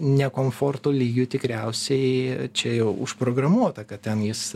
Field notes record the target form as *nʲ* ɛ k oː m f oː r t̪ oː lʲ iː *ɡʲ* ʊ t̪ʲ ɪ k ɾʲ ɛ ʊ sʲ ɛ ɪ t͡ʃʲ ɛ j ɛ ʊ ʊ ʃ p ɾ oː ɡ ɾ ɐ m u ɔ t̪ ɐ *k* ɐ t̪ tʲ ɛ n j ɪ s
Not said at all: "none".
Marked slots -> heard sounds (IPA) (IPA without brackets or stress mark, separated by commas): nʲ, ɡʲ, k